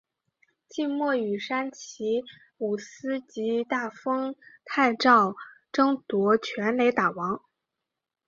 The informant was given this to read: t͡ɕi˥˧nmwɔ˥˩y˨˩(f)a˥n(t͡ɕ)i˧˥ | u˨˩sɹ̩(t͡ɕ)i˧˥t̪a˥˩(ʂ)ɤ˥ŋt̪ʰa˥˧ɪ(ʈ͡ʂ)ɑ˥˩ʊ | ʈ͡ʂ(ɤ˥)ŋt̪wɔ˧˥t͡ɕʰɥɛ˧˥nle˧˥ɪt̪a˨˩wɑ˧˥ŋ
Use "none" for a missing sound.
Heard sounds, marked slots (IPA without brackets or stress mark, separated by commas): ʂ, t͡ɕʰ, t͡ɕ, f, ʈ͡ʂ, ɤ˥